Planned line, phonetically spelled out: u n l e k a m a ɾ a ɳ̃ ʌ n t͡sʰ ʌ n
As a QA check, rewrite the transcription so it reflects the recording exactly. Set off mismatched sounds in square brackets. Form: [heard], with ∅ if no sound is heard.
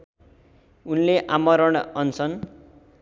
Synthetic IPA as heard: u n l e [ʔ] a m [ʌ] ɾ [ʌ] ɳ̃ ʌ n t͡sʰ ʌ n

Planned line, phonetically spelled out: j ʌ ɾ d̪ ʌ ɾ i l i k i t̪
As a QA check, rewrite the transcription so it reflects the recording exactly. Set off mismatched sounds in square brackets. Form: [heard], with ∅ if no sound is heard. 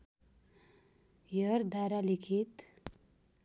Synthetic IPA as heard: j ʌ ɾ d̪ [a] ɾ [a] l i [kʰ] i t̪

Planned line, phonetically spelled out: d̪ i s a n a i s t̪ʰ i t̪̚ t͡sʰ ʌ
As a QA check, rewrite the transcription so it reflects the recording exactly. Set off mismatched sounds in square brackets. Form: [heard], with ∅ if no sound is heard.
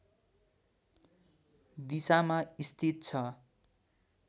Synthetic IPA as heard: d̪ i s a [m] a i s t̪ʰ i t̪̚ t͡sʰ ʌ

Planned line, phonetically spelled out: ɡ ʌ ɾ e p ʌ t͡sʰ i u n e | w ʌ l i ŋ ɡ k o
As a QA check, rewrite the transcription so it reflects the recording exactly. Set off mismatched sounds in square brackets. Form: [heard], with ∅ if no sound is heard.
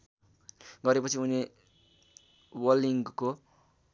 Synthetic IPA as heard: ɡ ʌ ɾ e p ʌ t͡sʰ i u n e | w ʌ l i ŋ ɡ k o

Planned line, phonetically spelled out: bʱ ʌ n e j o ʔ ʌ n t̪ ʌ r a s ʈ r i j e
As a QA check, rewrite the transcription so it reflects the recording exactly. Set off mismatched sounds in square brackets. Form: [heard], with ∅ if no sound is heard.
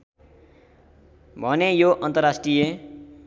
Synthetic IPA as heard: bʱ ʌ n e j o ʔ ʌ n t̪ ʌ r a s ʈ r i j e

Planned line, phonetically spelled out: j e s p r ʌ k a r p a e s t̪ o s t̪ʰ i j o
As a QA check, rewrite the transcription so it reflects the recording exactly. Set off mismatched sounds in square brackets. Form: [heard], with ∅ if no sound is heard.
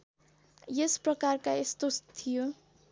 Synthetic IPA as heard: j e s p r ʌ k a r [k] a e s t̪ o s t̪ʰ i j o

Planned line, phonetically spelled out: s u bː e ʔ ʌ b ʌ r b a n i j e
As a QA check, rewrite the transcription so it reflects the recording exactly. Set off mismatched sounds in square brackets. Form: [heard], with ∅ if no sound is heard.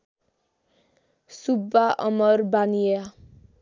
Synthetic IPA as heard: s u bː [a] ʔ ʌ [m] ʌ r b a n i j [a]

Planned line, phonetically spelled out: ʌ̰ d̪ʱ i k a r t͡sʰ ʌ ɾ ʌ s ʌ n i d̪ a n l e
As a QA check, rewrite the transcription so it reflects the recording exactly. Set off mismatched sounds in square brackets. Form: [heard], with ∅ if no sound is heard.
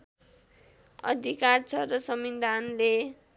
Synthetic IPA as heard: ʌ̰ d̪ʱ i k a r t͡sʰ ʌ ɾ ʌ s ʌ [m] i d̪ a n l e

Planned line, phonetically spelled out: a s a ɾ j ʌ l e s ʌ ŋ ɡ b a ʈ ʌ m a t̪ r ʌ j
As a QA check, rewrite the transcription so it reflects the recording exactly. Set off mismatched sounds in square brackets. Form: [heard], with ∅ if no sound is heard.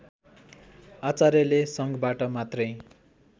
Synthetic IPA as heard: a [t͡s] a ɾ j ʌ l e s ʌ ŋ ɡ b a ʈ ʌ m a t̪ r ʌ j

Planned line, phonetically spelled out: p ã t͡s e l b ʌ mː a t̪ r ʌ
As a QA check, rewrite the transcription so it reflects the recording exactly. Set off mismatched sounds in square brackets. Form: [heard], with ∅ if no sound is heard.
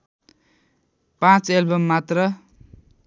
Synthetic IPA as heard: p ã t͡s e l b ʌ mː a t̪ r ʌ

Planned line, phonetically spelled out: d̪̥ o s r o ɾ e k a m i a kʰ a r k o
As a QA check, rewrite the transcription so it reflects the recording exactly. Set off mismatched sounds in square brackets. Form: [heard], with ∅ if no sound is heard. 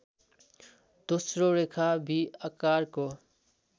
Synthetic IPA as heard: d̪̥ o s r o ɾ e [kʰ] a [b] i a [k] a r k o

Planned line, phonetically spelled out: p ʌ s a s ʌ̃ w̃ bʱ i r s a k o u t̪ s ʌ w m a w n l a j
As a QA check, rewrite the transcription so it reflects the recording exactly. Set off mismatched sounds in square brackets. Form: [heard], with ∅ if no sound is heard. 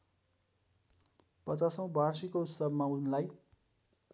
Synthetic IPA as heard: p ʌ [t͡s] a s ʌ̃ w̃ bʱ [a] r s [i] k o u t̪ s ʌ [b] m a [u] n l a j

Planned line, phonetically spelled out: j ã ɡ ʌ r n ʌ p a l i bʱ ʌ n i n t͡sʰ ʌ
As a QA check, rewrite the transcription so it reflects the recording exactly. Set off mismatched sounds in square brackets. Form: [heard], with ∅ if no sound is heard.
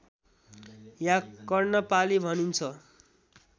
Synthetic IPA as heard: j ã [k] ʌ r n ʌ p a l i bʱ ʌ n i n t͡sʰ ʌ

